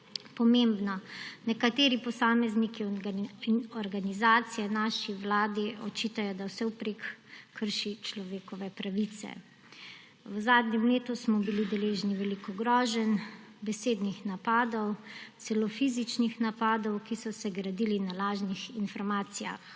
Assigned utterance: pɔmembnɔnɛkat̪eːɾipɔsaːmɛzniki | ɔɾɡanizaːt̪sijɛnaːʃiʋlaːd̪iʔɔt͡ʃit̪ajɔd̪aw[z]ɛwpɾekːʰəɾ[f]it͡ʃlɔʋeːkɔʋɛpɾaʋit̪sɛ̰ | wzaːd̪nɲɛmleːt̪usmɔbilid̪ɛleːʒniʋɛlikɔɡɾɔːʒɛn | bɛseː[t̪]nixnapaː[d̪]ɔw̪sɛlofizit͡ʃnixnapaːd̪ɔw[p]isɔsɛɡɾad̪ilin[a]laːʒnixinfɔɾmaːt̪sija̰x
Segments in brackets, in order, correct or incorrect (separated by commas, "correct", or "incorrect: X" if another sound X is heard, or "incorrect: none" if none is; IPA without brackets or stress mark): incorrect: s, incorrect: ʃ, incorrect: d̪, correct, incorrect: k, correct